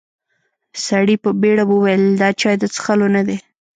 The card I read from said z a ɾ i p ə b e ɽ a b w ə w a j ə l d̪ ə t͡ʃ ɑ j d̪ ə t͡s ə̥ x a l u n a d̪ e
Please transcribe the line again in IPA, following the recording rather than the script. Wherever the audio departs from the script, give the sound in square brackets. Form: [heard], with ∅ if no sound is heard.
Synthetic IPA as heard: [s] a [ɽ] i p ə b e ɽ a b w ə w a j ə l d̪ [ɑ] t͡ʃ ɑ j d̪ ə t͡s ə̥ x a l [o] n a d̪ e